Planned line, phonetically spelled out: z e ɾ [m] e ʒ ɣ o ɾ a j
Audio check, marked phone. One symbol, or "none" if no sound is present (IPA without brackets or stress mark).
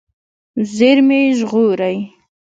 m